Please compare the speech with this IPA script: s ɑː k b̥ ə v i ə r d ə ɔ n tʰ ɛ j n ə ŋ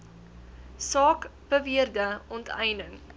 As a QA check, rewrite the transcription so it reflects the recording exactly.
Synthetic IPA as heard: s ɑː k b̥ ə v i ə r d ə ɔ n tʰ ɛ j n ə ŋ

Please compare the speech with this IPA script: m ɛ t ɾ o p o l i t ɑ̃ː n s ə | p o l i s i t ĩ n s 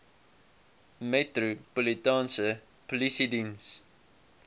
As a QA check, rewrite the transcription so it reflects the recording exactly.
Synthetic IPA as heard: m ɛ t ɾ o p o l i t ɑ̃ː n s ə | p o l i s i d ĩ n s

